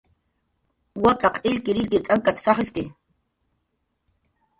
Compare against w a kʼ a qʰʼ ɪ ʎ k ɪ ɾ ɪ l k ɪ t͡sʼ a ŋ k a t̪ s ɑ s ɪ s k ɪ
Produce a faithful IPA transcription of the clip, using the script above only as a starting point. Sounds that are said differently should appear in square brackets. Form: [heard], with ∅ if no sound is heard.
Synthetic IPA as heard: w a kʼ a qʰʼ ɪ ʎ k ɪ ɾ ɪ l k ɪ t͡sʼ a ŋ k a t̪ s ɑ [χ] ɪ s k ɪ